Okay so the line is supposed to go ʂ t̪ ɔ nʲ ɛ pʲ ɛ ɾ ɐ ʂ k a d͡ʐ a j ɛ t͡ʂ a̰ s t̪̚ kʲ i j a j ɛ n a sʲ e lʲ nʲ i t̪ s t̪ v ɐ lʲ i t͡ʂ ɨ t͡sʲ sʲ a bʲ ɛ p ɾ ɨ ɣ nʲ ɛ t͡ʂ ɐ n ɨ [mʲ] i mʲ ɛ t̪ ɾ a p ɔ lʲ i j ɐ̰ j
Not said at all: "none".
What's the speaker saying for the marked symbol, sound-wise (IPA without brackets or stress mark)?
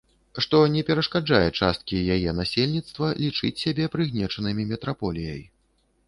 mʲ